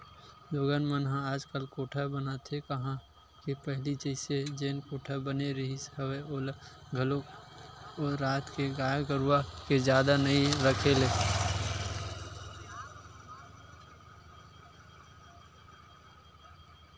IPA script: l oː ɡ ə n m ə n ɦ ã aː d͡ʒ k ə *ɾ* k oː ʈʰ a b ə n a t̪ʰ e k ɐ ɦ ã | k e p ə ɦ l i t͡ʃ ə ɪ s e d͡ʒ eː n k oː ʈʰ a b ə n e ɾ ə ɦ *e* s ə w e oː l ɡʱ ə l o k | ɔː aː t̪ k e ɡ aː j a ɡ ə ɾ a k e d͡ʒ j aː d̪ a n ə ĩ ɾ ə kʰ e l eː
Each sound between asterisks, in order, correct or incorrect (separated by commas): incorrect, incorrect